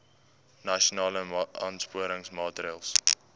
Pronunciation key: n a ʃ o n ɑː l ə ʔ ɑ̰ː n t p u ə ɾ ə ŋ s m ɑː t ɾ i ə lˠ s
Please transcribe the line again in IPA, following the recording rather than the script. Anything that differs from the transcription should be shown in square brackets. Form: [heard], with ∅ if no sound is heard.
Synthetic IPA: n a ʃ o n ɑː l ə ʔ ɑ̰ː n [s] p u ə ɾ ə ŋ s m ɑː t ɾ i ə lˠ s